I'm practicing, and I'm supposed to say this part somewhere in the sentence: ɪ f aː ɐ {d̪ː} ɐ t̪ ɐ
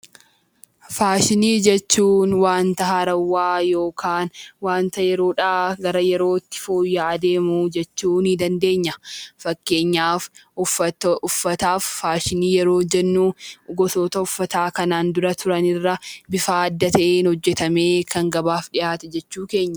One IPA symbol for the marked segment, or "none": d̪ː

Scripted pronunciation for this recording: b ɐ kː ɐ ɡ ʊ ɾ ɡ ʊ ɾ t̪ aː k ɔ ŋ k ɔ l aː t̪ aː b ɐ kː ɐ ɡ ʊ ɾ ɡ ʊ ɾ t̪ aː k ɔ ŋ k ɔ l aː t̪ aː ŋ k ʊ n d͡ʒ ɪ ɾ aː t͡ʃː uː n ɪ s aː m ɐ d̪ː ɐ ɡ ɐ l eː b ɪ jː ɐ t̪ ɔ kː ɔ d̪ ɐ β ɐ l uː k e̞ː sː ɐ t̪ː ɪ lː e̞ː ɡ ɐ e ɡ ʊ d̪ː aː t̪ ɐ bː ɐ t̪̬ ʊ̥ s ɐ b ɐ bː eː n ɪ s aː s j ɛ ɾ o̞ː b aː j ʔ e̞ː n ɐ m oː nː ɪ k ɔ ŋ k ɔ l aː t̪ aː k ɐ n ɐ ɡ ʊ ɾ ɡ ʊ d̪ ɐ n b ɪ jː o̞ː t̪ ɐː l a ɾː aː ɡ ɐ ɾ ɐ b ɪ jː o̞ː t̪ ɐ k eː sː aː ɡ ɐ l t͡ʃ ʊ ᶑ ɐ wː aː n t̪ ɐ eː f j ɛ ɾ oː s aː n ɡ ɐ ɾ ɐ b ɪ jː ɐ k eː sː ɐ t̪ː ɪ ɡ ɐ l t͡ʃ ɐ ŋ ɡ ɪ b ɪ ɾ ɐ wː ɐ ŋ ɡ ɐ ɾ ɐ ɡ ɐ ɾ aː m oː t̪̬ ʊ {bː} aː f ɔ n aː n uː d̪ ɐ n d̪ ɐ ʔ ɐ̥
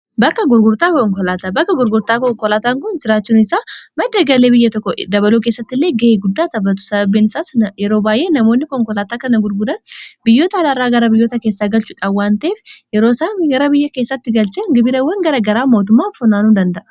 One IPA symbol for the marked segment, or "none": mː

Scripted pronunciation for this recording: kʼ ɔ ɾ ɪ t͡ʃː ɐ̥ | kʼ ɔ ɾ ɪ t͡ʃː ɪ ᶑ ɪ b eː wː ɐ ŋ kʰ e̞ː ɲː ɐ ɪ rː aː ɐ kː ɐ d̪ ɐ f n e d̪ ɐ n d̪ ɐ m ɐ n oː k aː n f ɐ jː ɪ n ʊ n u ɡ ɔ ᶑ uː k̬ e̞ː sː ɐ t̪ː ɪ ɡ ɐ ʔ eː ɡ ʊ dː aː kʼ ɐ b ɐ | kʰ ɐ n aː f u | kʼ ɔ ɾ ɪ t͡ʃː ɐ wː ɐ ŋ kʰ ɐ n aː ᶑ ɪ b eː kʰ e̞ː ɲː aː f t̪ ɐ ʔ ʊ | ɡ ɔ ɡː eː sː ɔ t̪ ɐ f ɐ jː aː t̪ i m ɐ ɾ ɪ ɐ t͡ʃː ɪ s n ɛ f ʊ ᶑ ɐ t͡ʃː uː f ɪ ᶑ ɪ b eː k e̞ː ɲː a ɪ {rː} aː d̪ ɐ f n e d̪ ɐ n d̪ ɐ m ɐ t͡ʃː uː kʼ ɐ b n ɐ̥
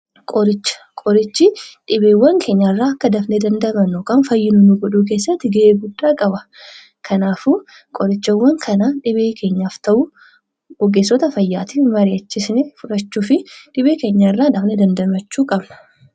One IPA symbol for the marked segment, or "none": rː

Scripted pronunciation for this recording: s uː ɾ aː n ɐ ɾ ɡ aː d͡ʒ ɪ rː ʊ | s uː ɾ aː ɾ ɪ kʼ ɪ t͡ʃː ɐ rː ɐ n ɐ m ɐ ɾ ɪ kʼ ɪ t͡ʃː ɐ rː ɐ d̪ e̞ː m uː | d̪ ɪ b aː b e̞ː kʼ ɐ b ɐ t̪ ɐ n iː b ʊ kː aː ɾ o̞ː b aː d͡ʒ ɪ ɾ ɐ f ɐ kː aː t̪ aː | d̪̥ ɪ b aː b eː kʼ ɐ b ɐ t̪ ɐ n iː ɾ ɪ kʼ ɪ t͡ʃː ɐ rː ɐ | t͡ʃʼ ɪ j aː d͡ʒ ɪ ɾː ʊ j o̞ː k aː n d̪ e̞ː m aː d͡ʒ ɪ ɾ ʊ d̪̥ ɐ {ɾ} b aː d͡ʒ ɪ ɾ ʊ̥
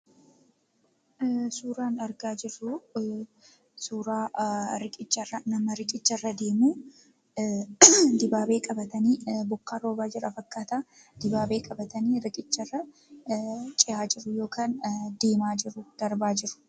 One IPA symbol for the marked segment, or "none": ɾ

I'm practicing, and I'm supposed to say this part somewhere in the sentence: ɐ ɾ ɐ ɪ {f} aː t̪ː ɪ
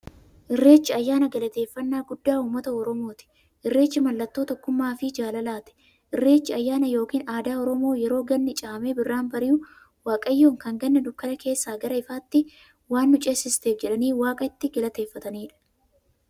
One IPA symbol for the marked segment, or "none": f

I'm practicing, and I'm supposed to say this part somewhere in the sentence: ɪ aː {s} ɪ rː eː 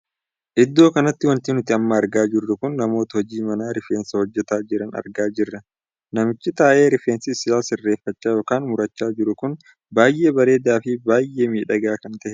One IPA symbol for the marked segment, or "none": s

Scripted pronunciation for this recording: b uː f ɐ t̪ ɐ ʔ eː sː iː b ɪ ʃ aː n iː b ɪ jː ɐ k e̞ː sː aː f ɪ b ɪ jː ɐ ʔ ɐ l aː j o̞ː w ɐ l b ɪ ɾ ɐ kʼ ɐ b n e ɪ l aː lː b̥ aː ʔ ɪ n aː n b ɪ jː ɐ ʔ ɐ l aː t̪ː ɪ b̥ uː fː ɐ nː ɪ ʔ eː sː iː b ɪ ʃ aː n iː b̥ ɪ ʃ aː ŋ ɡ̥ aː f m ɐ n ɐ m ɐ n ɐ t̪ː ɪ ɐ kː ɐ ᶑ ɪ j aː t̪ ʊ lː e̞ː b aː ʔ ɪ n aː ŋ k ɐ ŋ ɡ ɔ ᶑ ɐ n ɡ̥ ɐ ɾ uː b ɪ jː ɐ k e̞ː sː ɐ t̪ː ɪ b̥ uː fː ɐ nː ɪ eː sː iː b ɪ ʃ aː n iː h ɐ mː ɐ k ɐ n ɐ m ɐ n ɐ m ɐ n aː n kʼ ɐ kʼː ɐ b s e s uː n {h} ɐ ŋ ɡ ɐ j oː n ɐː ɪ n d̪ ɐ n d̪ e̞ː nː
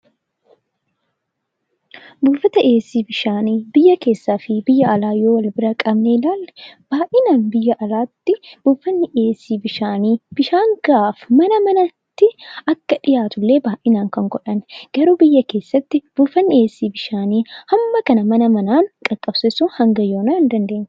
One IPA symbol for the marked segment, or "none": h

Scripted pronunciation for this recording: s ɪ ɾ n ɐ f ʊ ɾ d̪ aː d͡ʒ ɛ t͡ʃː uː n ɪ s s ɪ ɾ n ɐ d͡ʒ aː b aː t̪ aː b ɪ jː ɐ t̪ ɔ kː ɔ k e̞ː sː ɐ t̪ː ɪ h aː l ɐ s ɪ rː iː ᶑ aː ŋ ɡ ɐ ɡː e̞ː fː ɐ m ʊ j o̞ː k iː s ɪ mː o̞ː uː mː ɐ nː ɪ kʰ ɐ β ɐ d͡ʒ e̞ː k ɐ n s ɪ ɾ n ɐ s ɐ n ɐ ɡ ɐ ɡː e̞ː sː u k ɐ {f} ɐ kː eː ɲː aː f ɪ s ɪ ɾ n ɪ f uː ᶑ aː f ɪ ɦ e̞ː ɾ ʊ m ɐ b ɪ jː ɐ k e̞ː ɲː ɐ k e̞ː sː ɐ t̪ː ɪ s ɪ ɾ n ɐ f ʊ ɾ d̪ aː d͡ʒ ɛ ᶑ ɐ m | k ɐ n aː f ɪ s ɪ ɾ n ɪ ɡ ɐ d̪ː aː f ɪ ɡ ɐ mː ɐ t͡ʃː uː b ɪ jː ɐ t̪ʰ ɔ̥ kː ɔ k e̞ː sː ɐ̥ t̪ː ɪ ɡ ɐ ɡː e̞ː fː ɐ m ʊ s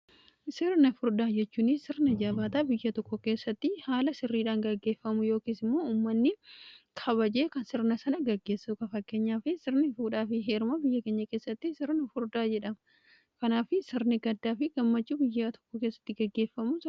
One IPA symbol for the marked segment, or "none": f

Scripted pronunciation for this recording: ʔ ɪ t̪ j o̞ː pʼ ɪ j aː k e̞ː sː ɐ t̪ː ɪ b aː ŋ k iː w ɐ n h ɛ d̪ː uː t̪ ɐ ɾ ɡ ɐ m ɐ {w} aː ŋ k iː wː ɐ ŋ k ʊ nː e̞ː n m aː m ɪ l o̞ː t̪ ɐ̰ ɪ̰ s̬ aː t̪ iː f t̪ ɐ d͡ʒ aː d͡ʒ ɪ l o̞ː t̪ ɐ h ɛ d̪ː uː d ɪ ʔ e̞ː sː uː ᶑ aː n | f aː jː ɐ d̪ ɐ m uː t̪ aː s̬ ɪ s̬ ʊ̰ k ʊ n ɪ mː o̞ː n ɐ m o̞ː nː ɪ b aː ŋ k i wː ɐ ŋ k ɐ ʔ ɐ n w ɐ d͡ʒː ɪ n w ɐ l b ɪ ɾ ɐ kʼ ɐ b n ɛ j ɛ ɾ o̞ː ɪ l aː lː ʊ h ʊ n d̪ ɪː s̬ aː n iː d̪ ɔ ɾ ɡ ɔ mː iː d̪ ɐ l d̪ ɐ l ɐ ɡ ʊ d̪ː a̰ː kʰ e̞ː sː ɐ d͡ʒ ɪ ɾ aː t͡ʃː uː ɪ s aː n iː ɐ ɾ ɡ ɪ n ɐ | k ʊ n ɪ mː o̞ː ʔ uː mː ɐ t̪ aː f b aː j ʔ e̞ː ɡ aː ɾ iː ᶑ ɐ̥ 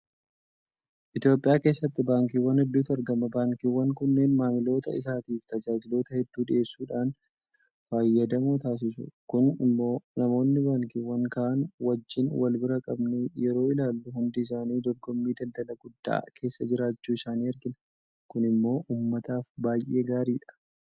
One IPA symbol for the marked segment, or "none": b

